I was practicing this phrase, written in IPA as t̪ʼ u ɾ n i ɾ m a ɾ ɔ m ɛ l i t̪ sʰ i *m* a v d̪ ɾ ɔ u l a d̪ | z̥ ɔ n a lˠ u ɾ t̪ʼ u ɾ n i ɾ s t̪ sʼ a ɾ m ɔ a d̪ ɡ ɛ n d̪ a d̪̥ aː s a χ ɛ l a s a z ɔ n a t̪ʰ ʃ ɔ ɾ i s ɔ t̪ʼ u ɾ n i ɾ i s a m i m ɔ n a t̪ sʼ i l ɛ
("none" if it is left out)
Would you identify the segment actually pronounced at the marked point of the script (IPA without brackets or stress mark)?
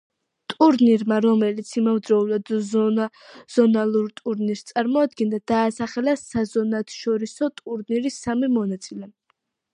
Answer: m